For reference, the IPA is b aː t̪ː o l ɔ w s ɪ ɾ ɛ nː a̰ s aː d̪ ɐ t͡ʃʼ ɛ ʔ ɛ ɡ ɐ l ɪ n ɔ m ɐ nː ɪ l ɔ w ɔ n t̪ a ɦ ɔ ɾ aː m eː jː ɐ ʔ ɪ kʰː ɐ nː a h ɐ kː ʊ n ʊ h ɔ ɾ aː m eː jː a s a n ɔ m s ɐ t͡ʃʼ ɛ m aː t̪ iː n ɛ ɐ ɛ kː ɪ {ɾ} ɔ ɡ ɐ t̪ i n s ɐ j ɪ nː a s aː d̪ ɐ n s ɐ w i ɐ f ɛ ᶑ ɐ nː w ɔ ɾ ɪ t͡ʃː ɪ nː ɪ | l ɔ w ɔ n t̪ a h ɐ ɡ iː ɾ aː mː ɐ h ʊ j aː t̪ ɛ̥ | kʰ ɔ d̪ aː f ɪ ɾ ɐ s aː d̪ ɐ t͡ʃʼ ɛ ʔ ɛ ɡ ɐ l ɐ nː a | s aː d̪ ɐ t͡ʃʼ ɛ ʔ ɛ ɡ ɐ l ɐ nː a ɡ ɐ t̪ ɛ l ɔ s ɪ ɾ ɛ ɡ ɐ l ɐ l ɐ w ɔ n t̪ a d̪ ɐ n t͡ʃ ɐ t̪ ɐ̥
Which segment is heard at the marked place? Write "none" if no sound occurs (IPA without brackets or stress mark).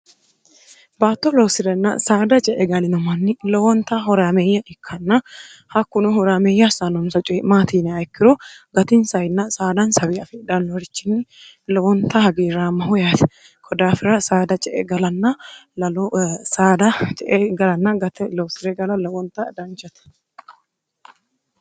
ɾ